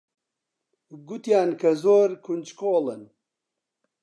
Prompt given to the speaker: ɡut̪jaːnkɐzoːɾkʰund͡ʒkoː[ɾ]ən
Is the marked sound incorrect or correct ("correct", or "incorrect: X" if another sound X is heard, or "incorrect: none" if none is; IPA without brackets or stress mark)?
incorrect: l